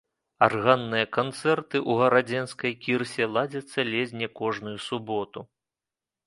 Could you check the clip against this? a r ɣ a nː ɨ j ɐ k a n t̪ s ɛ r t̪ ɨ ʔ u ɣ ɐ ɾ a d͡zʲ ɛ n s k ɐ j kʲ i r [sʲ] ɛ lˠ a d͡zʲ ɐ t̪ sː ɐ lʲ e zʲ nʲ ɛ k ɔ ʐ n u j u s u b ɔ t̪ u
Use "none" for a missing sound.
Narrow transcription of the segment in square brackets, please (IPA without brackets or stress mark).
sʲ